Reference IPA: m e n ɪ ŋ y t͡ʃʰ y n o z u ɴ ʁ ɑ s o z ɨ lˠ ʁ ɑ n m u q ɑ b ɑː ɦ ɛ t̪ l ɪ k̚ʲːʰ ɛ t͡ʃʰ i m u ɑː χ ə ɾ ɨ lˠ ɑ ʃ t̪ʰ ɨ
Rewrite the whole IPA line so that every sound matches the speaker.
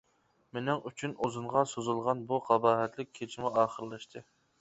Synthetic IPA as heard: m e n ɪ ŋ y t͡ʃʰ y n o z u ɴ ʁ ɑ s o z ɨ lˠ ʁ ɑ n b u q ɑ b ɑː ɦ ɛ t̪ l ɪ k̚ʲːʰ e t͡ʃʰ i m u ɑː χ ə ɾ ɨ lˠ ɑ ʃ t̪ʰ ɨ